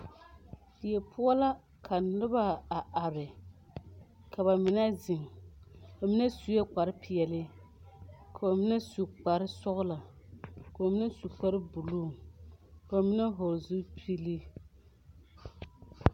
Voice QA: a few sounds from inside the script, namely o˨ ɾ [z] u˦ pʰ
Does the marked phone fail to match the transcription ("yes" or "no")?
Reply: no